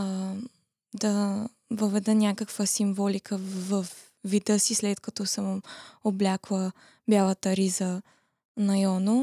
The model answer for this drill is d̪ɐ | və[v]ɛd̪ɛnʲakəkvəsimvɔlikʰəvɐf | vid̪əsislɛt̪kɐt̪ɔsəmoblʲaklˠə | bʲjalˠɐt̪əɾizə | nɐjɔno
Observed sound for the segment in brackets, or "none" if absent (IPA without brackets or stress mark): v